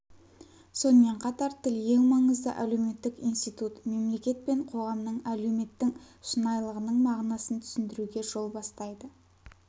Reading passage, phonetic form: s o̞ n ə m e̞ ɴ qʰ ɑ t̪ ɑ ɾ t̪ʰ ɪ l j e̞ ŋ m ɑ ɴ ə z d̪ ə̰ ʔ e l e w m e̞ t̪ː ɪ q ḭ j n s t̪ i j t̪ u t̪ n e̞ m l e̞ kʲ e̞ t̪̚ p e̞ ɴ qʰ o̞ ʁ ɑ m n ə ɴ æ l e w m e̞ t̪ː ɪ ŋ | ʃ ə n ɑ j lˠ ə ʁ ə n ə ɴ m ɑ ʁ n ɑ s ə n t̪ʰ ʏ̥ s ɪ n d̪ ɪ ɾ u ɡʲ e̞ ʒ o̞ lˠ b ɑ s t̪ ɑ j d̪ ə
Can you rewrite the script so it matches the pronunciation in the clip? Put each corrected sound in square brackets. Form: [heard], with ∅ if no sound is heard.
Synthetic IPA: s o̞ n ə m e̞ ɴ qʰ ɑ t̪ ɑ ɾ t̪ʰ ɪ l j e̞ ŋ m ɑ ɴ ə z d̪ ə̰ ʔ [æ] l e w m e̞ t̪ː ɪ [k] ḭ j n s t̪ i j t̪ u t̪ [m] e̞ m l e̞ kʲ e̞ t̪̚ p e̞ ɴ qʰ o̞ ʁ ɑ m n ə ɴ æ l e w m e̞ t̪ː ɪ ŋ | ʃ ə n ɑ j lˠ ə ʁ ə n ə ɴ m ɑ ʁ n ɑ s ə n t̪ʰ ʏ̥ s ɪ n d̪ ɪ ɾ u ɡʲ e̞ ʒ o̞ lˠ b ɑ s t̪ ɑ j d̪ ə